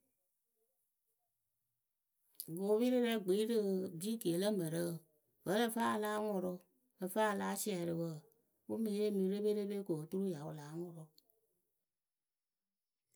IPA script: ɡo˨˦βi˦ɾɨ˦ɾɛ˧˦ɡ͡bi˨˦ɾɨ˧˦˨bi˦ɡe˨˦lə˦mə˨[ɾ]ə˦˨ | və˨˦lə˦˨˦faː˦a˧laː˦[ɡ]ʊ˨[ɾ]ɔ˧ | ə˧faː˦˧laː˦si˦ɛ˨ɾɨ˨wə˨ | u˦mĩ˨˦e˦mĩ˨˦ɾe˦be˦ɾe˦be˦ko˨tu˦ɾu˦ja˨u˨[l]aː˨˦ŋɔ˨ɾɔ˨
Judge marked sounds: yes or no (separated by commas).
yes, no, yes, yes